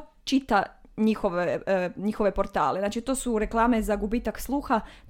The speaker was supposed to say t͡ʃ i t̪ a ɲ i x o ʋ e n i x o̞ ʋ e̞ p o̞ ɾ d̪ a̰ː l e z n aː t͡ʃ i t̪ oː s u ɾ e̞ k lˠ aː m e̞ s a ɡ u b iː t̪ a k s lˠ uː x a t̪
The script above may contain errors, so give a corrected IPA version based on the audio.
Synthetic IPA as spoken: t͡ʃ i t̪ a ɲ i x o ʋ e ɲ i x o̞ ʋ e̞ p o̞ ɾ t̪ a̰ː l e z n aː t͡ʃ i t̪ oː s u ɾ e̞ k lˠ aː m e̞ z a ɡ u b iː t̪ a k s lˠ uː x a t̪